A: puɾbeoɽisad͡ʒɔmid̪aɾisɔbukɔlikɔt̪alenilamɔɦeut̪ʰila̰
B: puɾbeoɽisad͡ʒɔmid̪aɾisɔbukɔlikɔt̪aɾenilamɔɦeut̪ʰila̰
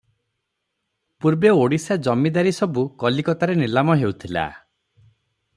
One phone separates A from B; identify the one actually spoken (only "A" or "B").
B